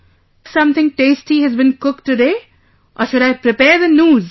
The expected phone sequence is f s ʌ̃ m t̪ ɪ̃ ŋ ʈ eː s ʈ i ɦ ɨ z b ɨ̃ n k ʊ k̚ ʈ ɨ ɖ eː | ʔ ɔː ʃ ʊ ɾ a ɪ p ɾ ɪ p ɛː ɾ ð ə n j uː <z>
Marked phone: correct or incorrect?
correct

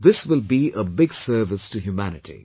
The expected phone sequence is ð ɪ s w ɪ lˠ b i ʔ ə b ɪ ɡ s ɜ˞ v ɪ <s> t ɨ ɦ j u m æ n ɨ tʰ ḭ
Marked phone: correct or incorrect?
correct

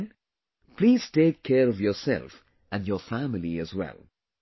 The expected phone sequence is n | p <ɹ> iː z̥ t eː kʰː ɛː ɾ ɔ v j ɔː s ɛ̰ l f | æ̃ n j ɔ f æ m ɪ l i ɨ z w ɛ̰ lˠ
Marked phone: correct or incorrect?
incorrect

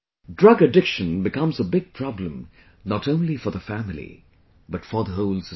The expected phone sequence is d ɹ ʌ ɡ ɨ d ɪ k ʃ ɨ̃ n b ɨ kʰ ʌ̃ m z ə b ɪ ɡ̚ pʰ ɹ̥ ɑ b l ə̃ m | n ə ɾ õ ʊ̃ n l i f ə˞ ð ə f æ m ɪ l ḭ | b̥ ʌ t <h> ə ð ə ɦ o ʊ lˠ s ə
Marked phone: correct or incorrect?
incorrect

